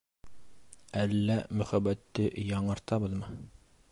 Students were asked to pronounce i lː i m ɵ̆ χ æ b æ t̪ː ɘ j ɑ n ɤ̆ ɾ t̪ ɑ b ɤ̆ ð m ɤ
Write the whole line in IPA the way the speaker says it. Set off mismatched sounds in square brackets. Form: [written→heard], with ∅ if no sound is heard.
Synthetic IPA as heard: [i→æ] lː [i→æ] m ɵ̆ χ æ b æ t̪ː ɘ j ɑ [n→ɴ] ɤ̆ ɾ t̪ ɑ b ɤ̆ ð m ɤ